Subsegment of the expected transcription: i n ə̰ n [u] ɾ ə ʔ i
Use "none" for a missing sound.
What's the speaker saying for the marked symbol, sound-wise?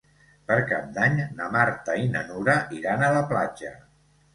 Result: u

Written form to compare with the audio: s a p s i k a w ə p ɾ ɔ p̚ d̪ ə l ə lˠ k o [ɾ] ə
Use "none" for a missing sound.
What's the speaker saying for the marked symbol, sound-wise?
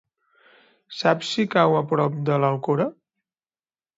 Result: ɾ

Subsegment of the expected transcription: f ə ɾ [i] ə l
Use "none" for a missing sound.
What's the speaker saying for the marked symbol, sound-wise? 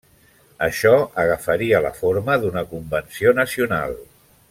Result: i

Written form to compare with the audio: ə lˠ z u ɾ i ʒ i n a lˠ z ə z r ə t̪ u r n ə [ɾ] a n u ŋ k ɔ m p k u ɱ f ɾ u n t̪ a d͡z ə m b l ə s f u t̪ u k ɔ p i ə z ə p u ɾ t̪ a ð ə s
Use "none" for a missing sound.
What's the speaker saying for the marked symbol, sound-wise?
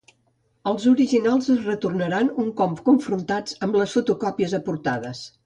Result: ɾ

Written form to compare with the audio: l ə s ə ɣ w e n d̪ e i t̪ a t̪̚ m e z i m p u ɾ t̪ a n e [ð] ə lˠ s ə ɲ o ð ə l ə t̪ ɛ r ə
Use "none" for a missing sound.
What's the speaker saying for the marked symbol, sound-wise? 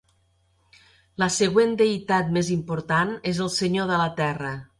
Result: z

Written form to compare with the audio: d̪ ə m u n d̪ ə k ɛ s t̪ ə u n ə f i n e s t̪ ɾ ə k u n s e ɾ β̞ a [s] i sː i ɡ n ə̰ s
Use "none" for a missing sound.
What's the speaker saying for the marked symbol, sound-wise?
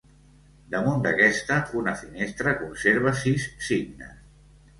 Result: s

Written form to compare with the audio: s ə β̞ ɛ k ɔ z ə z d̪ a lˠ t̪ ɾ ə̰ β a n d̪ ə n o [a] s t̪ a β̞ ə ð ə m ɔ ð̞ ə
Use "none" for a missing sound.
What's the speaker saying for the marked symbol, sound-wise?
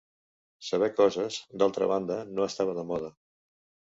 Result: ə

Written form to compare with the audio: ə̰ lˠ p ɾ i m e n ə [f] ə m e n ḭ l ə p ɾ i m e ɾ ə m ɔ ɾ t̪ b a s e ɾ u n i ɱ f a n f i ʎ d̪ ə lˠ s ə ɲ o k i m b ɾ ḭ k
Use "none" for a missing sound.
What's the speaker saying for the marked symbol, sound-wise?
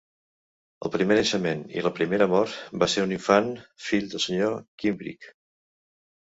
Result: ʃ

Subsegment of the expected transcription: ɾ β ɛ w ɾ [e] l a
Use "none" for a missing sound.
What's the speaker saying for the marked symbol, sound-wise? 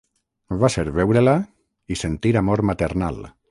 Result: e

